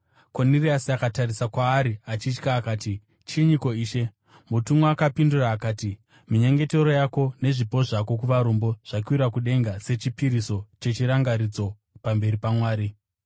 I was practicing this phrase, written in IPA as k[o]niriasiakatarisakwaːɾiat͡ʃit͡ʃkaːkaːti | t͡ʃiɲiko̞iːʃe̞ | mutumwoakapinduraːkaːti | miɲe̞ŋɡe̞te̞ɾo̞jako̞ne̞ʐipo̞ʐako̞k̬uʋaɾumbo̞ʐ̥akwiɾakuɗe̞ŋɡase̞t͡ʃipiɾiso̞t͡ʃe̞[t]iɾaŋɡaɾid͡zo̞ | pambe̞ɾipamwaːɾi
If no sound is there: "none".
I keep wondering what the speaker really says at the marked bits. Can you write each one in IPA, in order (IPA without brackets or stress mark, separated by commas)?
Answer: o, t͡ʃ